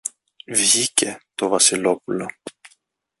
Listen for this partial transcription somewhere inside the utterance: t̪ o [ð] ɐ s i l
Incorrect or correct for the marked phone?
incorrect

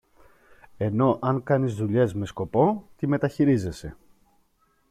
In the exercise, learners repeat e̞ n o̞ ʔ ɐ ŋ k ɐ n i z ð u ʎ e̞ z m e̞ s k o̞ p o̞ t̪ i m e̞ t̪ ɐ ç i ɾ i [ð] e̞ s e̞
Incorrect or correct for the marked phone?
incorrect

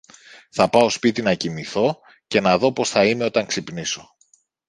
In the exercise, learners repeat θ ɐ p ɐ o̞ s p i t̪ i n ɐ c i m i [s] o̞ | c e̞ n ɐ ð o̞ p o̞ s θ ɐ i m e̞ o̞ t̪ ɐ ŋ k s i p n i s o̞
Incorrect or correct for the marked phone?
incorrect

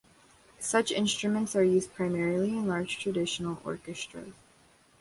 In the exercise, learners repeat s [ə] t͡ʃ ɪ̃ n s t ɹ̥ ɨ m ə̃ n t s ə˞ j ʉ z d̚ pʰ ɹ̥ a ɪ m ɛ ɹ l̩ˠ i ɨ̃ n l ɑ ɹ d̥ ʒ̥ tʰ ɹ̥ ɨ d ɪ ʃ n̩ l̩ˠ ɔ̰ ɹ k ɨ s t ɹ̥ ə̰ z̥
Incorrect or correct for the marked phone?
incorrect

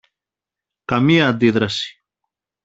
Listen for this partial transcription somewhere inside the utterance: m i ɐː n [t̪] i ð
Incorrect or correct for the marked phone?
incorrect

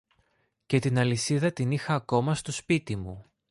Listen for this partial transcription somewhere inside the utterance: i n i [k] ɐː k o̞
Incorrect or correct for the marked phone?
incorrect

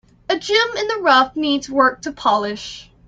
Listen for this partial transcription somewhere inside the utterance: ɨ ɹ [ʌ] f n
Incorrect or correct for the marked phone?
correct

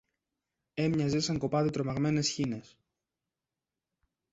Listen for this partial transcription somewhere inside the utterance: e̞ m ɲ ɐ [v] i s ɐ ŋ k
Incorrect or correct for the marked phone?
incorrect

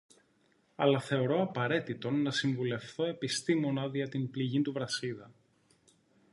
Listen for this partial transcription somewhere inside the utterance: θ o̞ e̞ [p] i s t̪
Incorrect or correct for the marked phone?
correct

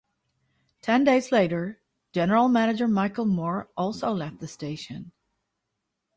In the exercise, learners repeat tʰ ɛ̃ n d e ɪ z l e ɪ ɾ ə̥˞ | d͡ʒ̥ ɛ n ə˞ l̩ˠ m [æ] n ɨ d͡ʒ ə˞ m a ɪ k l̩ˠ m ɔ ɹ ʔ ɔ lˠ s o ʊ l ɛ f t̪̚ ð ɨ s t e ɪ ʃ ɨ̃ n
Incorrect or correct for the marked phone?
correct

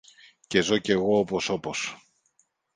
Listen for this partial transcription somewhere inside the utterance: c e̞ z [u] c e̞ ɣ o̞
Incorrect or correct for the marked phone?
incorrect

